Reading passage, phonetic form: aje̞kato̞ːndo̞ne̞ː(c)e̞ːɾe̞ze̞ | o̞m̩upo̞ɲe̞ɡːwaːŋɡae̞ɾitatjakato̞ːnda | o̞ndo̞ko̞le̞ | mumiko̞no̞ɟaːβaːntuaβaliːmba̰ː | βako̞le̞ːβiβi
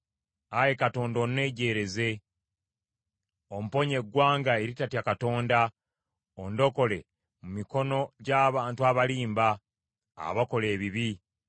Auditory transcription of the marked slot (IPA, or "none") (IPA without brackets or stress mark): ɟ